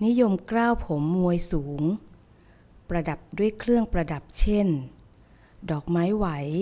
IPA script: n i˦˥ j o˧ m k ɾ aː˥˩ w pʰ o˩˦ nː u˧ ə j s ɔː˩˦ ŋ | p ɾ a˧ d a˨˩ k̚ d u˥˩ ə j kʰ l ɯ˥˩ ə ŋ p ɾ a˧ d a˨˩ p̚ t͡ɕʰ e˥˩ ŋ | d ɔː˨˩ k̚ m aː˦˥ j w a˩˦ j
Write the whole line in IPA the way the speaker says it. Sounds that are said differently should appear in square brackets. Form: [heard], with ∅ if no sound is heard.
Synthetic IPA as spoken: n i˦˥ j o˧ m k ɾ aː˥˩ w pʰ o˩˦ [mː] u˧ ə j s [uː˩˦] ŋ | p ɾ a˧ d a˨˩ [p̚] d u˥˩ ə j kʰ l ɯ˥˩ ə ŋ p ɾ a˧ d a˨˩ p̚ t͡ɕʰ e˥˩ [n] | d ɔː˨˩ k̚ m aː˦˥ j w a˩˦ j